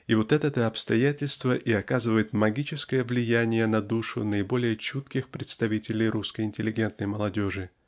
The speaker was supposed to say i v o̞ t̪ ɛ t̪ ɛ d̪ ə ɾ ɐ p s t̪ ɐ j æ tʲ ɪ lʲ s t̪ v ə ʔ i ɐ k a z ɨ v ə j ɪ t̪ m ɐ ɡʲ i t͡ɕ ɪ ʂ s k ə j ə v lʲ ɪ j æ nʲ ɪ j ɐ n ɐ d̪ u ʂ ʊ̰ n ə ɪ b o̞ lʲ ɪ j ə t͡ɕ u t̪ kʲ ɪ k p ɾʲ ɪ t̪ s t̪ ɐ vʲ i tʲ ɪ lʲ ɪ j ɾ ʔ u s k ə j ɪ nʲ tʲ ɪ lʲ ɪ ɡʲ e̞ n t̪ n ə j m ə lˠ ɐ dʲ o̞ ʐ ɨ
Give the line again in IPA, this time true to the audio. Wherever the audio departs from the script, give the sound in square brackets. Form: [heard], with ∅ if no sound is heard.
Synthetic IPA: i v o̞ t̪ ɛ t̪ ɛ [t̪] ə [∅] ɐ p s t̪ ɐ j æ tʲ ɪ lʲ s t̪ v ə ʔ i ɐ k a z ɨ v ə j ɪ t̪ m ɐ ɡʲ i t͡ɕ ɪ [∅] s k ə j ə v lʲ ɪ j æ nʲ ɪ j [ə] n ɐ d̪ u ʂ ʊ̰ n ə ɪ b o̞ lʲ ɪ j ə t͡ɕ u t̪ kʲ ɪ [x] p ɾʲ ɪ t̪ s t̪ ɐ vʲ i tʲ ɪ lʲ ɪ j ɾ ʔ u s k ə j ɪ nʲ tʲ ɪ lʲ ɪ ɡʲ e̞ n t̪ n ə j m ə lˠ ɐ dʲ o̞ ʐ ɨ

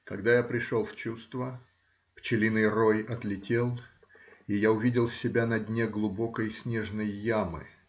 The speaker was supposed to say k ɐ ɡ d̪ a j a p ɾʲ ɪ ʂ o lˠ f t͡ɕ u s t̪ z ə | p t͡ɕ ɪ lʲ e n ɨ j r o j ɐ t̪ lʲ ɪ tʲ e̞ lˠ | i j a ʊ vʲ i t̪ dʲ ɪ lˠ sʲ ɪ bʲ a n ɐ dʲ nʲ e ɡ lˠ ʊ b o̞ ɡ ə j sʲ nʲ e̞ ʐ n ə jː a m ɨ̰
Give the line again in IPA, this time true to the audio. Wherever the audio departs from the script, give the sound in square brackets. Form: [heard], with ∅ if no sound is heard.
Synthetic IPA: k ɐ ɡ d̪ a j a p ɾʲ ɪ ʂ o lˠ f t͡ɕ u s t̪ [v] ə | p t͡ɕ ɪ lʲ [i] n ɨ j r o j ɐ t̪ lʲ ɪ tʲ e̞ lˠ | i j a ʊ vʲ i [∅] dʲ ɪ lˠ sʲ ɪ bʲ a n ɐ dʲ nʲ e ɡ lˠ ʊ b o̞ [k] ə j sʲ nʲ e̞ ʐ n ə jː a m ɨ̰

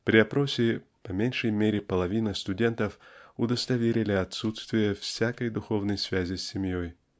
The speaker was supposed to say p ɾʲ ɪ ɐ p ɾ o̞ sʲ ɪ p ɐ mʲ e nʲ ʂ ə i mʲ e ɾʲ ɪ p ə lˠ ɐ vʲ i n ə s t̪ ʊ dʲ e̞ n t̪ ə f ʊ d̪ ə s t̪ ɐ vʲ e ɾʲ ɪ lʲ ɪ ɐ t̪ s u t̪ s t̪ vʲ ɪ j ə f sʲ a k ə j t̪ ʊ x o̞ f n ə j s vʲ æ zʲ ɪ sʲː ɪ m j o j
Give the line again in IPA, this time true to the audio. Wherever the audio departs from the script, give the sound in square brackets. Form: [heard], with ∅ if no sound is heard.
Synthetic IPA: p ɾʲ ɪ ɐ p ɾ o̞ sʲ ɪ p ɐ mʲ e nʲ ʂ ə [j] mʲ e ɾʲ ɪ p ə lˠ ɐ vʲ i n ə s t̪ ʊ dʲ e̞ n t̪ ə f ʊ d̪ ə s t̪ ɐ vʲ e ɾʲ ɪ lʲ ɪ ɐ t̪ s u t̪ s t̪ vʲ ɪ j ə f sʲ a k ə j [d̪] ʊ x o̞ [v] n ə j s vʲ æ zʲ ɪ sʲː ɪ m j o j

